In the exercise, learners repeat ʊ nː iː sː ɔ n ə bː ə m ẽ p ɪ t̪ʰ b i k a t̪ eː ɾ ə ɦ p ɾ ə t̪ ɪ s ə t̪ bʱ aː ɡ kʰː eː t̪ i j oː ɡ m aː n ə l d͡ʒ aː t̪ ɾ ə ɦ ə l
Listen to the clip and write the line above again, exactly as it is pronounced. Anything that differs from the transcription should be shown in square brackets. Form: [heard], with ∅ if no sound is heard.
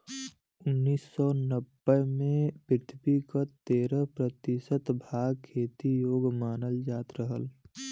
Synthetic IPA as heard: ʊ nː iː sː ɔ n ə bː ə m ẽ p ɪ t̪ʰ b i k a t̪ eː ɾ ə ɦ p ɾ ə t̪ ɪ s ə t̪ bʱ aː ɡ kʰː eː t̪ i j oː ɡ m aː n ə l d͡ʒ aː t̪ ɾ ə ɦ ə l

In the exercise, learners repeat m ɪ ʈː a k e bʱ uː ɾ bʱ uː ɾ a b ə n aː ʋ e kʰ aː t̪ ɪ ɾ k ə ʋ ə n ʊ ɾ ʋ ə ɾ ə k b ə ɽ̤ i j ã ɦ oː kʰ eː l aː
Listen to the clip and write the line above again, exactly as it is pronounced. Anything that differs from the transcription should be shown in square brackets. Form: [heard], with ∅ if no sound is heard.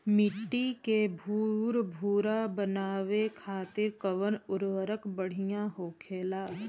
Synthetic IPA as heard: m ɪ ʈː [i] k e bʱ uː ɾ bʱ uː ɾ a b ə n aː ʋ e kʰ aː t̪ ɪ ɾ k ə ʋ ə n ʊ ɾ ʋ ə ɾ ə k b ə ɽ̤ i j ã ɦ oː kʰ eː l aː

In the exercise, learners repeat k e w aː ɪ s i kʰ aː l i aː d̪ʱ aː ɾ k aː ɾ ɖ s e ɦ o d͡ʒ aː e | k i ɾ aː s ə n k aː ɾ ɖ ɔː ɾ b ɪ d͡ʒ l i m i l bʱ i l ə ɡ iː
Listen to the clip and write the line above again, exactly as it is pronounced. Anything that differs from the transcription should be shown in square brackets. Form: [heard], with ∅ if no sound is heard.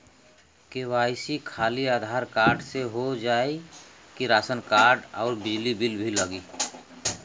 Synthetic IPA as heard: k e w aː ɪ s i kʰ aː l i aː d̪ʱ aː ɾ k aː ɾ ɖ s e ɦ o d͡ʒ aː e | k i ɾ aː s ə n k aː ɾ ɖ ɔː ɾ b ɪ d͡ʒ l i [b] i l bʱ i l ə ɡ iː

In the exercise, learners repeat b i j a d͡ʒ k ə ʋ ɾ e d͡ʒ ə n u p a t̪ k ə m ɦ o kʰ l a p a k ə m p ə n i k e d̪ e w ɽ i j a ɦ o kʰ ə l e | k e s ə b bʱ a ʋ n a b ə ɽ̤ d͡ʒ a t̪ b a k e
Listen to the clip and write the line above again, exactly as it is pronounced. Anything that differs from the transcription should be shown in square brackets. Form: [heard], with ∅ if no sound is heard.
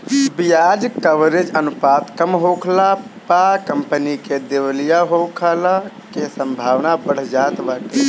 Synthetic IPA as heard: b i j a d͡ʒ k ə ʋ ɾ e d͡ʒ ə n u p a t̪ k ə m ɦ o kʰ l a p a k ə m p ə n i k e d̪ e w [l] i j a ɦ o kʰ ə l [a] | k e s ə [m] bʱ a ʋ n a b ə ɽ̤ d͡ʒ a t̪ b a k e

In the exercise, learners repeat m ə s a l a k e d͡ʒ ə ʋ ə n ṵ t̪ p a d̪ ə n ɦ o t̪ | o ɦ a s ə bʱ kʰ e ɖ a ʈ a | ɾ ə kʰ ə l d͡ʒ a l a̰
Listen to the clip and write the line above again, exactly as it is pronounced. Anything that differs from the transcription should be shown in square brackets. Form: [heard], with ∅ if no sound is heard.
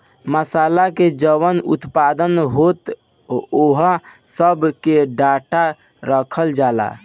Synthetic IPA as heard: m ə s a l a k e d͡ʒ ə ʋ ə n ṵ t̪ p a d̪ ə n ɦ o t̪ | o ɦ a s ə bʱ [k] e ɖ a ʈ a | ɾ ə kʰ ə l d͡ʒ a l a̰

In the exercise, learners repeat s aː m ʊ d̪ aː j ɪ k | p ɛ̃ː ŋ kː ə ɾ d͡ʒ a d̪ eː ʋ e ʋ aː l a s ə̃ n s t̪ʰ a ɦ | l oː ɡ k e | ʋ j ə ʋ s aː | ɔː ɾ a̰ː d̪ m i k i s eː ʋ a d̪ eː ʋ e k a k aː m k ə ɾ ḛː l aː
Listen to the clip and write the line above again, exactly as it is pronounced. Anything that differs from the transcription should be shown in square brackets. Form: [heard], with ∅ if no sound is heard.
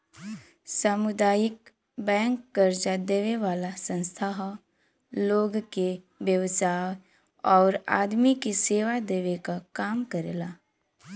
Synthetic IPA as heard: s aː m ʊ d̪ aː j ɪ k | [b] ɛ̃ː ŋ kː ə ɾ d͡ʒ a d̪ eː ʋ e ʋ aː l a s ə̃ n s t̪ʰ a ɦ | l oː ɡ k e | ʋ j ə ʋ s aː | ɔː ɾ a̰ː d̪ m i k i s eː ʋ a d̪ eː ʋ e k a k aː m k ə ɾ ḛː l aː

